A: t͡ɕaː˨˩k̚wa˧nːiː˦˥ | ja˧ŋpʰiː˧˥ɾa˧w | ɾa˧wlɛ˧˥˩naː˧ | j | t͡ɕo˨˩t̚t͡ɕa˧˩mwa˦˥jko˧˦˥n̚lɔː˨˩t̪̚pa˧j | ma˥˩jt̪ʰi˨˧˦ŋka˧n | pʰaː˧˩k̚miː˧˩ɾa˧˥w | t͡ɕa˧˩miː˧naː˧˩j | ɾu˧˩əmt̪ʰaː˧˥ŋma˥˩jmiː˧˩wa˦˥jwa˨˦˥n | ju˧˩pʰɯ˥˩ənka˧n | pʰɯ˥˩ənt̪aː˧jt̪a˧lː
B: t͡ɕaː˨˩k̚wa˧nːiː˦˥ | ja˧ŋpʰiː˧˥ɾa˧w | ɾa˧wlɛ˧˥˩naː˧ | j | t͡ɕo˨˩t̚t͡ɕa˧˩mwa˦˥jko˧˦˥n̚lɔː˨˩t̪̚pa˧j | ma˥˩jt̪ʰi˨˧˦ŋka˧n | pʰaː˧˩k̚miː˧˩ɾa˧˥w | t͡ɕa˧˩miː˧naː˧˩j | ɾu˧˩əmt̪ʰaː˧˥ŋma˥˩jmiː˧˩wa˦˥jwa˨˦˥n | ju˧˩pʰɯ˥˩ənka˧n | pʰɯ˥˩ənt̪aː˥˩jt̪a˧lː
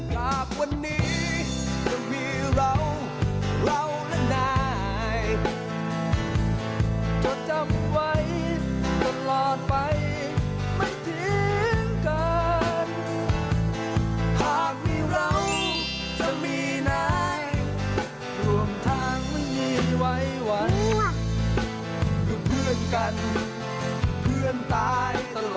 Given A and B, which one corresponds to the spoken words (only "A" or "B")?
A